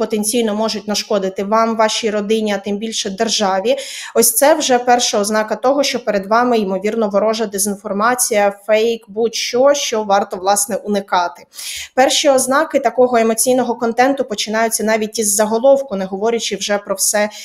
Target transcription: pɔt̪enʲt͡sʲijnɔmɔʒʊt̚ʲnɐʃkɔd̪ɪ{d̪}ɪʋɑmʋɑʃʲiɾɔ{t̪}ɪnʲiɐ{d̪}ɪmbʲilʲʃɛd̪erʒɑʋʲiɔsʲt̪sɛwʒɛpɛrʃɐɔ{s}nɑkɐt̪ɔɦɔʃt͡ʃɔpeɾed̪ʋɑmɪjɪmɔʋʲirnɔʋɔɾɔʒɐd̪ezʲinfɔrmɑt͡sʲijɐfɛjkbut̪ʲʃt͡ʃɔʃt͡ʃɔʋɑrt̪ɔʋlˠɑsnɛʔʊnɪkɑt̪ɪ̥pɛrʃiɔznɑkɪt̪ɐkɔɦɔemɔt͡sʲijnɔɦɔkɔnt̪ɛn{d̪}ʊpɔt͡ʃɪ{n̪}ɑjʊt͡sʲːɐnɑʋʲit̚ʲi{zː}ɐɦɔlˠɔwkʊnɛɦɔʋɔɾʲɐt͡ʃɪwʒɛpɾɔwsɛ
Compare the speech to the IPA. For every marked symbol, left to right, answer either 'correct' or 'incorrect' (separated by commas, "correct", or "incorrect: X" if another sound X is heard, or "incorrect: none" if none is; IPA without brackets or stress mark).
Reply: incorrect: t̪, incorrect: d̪, incorrect: t̪, incorrect: z, incorrect: t̪, correct, correct